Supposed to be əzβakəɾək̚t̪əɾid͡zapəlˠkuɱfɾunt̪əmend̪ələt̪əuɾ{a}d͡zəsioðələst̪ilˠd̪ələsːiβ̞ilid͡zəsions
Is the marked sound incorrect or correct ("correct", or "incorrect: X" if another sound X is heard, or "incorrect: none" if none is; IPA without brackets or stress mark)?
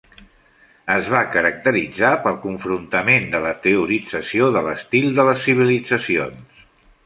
incorrect: i